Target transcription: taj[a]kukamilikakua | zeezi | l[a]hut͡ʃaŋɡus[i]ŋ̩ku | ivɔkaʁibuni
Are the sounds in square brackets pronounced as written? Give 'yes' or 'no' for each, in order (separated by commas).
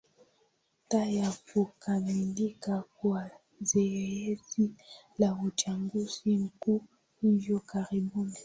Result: yes, yes, yes